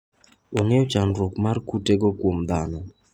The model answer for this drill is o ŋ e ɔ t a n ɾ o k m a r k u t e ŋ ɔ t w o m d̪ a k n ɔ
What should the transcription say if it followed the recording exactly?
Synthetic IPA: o ŋ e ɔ t͡ʃ a n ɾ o k m a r k u t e ɡ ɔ k w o m d̪ a n ɔ